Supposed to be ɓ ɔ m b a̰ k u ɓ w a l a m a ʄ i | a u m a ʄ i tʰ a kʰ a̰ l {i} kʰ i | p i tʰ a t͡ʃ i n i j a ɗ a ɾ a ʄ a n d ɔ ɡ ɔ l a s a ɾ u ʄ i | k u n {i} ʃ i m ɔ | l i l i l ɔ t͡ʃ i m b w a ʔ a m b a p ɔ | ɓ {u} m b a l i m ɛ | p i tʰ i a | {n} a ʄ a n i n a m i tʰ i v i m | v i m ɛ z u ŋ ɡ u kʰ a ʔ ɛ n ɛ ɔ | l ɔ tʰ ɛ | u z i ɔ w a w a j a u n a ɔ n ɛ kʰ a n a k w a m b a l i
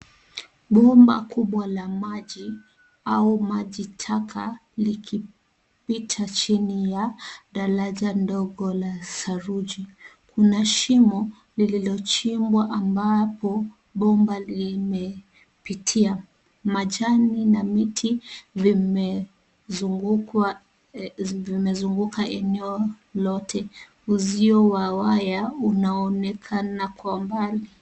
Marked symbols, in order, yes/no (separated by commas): yes, no, no, no